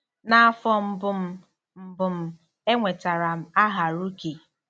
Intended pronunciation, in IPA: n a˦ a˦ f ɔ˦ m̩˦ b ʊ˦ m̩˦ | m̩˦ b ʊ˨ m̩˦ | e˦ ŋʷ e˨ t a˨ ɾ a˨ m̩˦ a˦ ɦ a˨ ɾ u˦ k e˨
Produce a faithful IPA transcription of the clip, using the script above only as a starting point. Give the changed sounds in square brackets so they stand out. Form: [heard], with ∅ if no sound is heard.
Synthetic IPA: n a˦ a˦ f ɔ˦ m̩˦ b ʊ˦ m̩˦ | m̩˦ b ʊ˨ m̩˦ | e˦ ŋʷ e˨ t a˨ ɾ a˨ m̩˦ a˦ ɦ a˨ ɾ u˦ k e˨